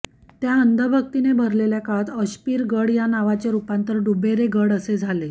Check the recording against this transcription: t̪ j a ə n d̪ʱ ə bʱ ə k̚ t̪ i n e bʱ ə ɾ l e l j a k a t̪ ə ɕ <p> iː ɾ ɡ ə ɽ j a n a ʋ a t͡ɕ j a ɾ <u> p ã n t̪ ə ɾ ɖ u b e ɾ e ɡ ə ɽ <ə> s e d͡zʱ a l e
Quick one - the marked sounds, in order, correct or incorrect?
correct, correct, correct

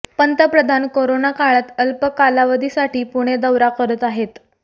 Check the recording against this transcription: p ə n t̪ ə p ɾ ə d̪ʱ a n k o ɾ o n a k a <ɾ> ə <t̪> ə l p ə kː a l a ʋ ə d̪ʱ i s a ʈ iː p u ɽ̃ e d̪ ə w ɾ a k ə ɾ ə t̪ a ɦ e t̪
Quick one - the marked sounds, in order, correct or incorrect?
incorrect: ɭ, correct

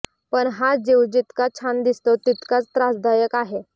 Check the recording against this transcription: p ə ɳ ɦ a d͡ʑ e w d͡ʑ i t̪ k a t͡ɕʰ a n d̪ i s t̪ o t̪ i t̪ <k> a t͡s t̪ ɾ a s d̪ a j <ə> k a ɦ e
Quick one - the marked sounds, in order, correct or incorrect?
correct, correct

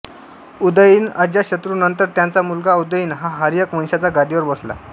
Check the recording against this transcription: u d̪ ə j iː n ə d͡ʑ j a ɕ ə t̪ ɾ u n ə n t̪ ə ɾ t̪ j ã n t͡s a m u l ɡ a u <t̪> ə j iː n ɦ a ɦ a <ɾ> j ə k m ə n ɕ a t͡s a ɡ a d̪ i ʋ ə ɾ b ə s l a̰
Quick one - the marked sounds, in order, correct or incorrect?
incorrect: d̪, correct

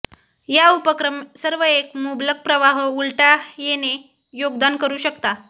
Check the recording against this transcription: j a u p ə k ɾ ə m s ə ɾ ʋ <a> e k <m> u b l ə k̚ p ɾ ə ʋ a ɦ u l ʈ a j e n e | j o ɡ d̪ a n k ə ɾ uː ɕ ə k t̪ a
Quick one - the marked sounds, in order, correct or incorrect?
incorrect: ə, correct

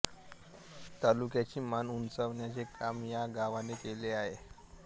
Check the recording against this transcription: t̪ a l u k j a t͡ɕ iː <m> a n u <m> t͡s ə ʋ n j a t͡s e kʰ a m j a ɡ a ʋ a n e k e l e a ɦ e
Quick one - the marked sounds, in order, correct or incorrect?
correct, incorrect: n

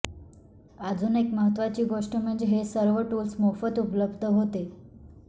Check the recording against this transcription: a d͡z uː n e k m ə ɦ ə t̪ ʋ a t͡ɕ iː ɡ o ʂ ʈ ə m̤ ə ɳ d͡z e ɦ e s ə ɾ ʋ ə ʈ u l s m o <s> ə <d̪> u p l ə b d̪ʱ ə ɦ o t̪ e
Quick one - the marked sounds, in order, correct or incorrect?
incorrect: f, incorrect: t̪

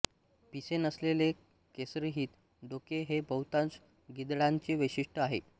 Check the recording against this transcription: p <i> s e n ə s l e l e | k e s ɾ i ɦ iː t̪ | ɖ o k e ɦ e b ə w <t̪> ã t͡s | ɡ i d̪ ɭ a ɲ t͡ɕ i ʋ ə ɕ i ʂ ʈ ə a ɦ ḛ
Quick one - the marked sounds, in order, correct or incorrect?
correct, correct

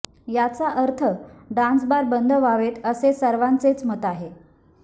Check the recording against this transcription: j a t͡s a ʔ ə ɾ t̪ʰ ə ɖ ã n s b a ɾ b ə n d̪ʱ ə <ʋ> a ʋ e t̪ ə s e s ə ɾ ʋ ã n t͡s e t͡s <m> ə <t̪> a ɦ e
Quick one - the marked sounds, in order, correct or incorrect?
correct, correct, correct

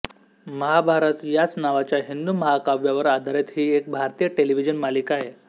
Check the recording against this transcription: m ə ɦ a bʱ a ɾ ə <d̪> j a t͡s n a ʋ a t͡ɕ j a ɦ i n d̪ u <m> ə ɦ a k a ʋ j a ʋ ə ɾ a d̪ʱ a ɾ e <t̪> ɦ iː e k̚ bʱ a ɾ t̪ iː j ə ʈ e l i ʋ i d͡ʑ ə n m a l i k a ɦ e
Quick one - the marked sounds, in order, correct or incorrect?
incorrect: t̪, correct, correct

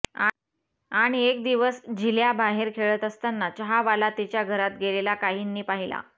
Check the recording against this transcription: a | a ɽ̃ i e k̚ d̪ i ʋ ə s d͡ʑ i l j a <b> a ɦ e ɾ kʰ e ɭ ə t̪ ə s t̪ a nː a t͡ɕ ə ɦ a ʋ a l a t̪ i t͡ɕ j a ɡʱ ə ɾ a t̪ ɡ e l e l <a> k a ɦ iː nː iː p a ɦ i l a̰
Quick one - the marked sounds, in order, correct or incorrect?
correct, correct

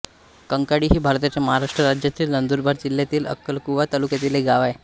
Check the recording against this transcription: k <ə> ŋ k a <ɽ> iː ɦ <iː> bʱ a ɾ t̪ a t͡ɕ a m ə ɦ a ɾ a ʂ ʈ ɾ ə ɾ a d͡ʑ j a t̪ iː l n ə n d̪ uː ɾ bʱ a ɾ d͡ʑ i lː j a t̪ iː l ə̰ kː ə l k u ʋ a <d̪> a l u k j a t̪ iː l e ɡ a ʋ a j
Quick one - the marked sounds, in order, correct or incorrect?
correct, correct, correct, incorrect: t̪

